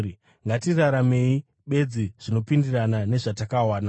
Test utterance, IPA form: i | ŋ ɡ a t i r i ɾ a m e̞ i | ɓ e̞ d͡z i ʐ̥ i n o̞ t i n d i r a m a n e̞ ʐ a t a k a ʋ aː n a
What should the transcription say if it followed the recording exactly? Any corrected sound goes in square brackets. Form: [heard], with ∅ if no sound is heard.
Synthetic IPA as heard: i | ŋ ɡ a t i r [a] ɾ a m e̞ i | ɓ e̞ d͡z i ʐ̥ i n o̞ [p] i n d i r a [n] a n e̞ ʐ a t a k a [w] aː n a